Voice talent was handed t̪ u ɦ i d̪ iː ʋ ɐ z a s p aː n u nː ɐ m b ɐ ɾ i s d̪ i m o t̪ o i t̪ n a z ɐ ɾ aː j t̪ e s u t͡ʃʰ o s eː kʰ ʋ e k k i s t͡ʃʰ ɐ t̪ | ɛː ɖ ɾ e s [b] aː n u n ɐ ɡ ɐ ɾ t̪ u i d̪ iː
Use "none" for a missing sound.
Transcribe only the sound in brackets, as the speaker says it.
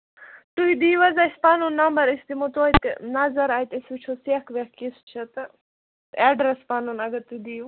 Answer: p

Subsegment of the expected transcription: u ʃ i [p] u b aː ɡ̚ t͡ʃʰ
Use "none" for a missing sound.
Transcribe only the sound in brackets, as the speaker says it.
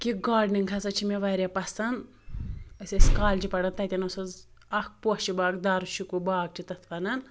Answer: k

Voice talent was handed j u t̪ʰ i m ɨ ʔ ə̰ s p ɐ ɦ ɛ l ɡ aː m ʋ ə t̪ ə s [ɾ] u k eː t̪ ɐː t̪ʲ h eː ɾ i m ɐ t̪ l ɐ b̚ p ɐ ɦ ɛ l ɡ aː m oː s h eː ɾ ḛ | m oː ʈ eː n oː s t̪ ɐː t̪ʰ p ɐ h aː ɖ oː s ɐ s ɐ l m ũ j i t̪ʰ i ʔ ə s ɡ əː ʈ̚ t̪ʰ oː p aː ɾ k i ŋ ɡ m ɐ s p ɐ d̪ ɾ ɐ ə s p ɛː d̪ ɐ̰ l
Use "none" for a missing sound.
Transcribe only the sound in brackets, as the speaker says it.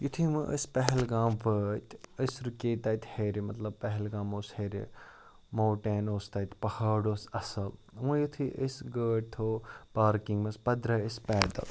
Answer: ɾ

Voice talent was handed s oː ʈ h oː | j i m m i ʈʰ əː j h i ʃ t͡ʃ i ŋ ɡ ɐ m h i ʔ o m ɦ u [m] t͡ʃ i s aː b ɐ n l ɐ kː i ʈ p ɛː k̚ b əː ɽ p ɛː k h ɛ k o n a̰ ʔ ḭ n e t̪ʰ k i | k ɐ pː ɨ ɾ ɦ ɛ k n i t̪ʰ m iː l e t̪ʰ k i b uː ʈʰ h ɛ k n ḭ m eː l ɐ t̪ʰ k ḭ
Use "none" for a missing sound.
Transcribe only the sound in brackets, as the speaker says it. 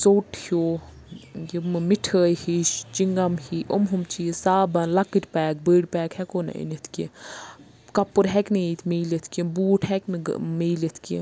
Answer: m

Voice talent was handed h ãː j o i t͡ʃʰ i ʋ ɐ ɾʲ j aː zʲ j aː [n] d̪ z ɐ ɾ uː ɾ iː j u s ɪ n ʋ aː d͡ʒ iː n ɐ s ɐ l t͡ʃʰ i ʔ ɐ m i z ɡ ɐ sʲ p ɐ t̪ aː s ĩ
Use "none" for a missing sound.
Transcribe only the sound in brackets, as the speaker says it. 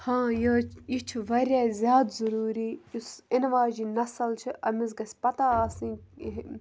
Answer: none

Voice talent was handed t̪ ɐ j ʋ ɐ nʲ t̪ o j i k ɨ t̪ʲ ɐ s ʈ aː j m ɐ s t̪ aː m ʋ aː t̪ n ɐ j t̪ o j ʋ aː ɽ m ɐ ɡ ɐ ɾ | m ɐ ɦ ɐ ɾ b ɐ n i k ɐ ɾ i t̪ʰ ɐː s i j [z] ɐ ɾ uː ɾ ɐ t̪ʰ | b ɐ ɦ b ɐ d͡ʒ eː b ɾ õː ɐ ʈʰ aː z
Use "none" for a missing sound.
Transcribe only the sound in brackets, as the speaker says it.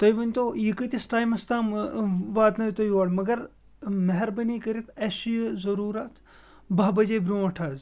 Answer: z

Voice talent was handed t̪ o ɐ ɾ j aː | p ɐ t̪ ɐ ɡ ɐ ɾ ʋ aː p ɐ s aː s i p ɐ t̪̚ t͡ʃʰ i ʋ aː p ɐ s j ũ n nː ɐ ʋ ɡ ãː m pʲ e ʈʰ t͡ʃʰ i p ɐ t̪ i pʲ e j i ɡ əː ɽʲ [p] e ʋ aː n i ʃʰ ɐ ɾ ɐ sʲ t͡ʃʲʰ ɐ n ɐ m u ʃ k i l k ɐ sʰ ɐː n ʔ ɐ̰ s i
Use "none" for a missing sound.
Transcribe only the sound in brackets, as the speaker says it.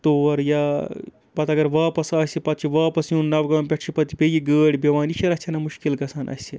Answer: b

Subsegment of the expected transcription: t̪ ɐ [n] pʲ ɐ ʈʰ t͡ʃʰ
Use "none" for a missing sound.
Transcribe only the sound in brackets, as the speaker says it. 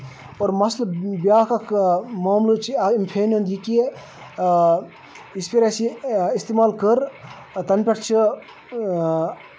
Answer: n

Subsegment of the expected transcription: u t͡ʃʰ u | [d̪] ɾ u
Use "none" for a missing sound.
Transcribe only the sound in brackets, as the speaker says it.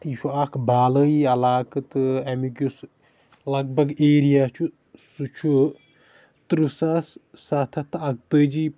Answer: t̪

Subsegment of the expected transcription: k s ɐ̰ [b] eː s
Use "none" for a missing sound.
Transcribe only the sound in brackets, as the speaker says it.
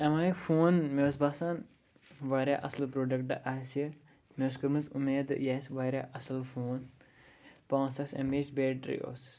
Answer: m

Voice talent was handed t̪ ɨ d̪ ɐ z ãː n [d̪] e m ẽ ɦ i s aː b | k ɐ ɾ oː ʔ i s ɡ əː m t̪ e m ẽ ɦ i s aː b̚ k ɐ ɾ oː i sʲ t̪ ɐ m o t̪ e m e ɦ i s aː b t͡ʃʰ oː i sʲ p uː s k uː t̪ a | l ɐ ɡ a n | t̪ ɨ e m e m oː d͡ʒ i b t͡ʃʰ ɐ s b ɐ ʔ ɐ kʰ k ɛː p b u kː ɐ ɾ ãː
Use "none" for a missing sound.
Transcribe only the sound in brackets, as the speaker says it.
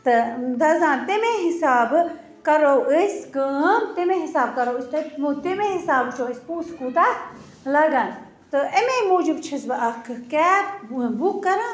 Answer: t̪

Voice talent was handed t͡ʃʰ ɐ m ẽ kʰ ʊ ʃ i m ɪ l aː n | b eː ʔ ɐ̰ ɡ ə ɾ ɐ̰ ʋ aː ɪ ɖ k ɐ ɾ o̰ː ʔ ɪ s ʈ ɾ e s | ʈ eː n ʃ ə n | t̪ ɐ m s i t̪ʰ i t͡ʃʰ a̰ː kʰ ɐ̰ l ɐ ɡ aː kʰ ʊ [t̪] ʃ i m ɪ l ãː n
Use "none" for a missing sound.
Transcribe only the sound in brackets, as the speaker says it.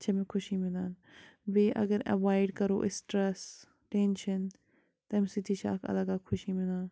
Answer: none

